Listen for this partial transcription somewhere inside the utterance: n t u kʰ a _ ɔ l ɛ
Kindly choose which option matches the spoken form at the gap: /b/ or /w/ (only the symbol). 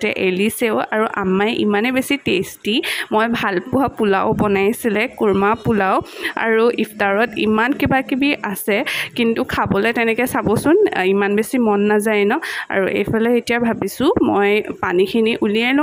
b